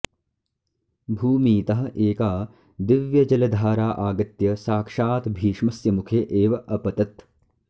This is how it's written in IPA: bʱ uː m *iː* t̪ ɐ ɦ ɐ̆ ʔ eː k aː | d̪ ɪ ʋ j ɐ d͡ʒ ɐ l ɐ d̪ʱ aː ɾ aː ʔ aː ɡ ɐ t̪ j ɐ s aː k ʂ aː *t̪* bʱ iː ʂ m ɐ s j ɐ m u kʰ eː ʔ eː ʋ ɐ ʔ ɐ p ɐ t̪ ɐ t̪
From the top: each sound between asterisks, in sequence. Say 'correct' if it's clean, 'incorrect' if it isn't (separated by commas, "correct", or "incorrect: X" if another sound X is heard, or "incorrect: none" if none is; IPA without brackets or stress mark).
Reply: correct, correct